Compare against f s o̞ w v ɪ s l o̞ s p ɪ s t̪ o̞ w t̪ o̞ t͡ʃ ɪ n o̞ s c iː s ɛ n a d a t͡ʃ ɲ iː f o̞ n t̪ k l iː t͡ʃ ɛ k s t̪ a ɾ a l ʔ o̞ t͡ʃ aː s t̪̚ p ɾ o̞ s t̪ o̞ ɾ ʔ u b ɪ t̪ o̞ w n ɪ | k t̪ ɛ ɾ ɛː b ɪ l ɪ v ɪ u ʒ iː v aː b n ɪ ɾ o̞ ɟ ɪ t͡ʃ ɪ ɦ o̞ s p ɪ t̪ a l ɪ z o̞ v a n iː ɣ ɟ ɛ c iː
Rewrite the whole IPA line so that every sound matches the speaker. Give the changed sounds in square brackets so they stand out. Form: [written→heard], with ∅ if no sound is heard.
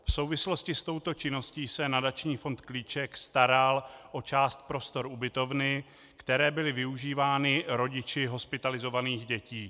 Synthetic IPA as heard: f s o̞ w v ɪ s l o̞ s [p→c] ɪ s t̪ o̞ w t̪ o̞ t͡ʃ ɪ n o̞ s c iː s ɛ n a d a t͡ʃ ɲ iː f o̞ n t̪ k l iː t͡ʃ ɛ k s t̪ a ɾ a l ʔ o̞ t͡ʃ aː s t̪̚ p ɾ o̞ s t̪ o̞ ɾ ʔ u b ɪ t̪ o̞ [w→v] n ɪ | k t̪ ɛ ɾ ɛː b ɪ l ɪ v ɪ u ʒ iː v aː [b→∅] n ɪ ɾ o̞ ɟ ɪ t͡ʃ ɪ ɦ o̞ s p ɪ t̪ a l ɪ z o̞ v a n iː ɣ ɟ ɛ c iː